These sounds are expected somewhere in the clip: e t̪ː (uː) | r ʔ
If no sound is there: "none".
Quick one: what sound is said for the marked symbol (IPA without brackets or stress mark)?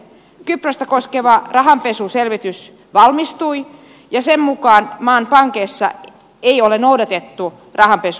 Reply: u